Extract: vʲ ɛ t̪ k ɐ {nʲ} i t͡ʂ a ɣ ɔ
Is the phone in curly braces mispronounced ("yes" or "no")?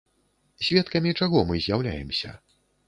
yes